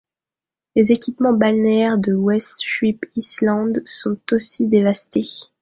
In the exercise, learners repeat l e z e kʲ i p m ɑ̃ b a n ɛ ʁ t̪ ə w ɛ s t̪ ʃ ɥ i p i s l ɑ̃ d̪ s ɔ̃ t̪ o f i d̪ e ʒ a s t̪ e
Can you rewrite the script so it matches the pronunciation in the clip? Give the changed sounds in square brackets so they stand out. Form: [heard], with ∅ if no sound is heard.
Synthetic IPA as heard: l e z e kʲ i p m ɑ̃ b a n ɛ ʁ [d̪] ə w ɛ s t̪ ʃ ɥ i p i s l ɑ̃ d̪ s ɔ̃ t̪ o [s] i d̪ e [v] a s t̪ e